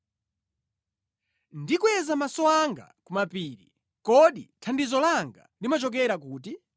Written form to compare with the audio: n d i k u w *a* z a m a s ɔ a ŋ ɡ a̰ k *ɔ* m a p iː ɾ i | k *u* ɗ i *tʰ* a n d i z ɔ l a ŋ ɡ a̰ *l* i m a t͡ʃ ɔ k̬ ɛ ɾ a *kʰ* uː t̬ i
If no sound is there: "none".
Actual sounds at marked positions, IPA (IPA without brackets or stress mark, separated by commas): ɛ, u, ɔ, tʰ, l, k